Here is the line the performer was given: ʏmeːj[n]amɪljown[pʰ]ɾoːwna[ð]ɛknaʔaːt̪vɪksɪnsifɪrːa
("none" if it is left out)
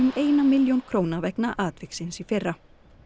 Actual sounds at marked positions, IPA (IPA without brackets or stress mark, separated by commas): n, kʰ, v